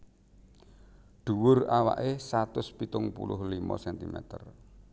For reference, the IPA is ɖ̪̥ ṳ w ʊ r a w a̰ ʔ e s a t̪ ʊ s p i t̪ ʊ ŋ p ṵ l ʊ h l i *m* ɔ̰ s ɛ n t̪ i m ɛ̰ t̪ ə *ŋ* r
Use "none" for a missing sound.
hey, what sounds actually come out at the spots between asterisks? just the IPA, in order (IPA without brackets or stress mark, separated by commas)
m, none